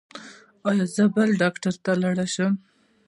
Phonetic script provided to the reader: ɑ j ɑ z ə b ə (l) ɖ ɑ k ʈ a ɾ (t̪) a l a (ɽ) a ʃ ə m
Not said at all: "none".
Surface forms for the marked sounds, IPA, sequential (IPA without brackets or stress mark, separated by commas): l, t̪, ɽ